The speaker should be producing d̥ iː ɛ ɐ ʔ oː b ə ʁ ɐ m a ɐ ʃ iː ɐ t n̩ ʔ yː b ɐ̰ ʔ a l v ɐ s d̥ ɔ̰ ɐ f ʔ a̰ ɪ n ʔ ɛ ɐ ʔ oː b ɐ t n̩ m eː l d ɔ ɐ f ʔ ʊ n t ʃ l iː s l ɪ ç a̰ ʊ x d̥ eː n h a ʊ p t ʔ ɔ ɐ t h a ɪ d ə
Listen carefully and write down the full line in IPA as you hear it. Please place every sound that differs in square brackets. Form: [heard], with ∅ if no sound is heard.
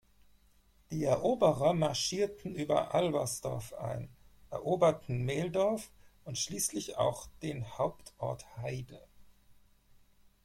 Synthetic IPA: d̥ iː ɛ ɐ ʔ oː b ə ʁ ɐ m a ɐ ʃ iː ɐ t n̩ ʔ yː b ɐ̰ ʔ a l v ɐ s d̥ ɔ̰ ɐ f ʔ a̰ ɪ n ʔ ɛ ɐ ʔ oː b ɐ t n̩ m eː l d ɔ ɐ f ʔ ʊ n t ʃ l iː s l ɪ ç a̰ ʊ x d̥ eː n h a ʊ p t ʔ ɔ ɐ t h a ɪ d ə